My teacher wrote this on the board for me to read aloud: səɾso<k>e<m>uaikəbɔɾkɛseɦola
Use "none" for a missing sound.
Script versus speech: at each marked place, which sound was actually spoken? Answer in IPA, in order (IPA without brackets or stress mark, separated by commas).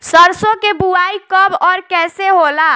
k, b